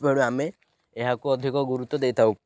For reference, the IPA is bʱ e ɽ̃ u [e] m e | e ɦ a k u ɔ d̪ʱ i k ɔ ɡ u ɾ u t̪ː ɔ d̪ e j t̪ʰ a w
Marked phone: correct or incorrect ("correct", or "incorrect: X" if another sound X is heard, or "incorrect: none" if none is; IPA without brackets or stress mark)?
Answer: incorrect: a